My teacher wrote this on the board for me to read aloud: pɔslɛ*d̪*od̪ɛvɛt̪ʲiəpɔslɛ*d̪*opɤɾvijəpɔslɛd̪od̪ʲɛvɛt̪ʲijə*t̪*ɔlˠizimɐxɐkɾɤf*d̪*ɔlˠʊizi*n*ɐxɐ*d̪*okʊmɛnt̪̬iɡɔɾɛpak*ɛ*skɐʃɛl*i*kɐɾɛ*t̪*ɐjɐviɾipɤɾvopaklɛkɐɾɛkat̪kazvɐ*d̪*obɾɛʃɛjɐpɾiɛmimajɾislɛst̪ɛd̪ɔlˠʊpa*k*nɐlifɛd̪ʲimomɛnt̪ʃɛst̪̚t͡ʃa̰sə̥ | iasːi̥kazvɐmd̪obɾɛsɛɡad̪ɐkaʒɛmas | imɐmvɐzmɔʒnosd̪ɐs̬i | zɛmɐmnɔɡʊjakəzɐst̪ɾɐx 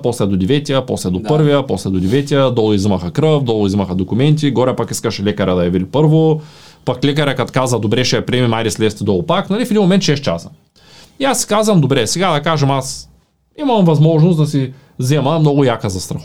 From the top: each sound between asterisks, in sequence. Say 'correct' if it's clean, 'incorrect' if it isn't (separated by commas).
correct, correct, incorrect, correct, incorrect, correct, incorrect, incorrect, incorrect, correct, correct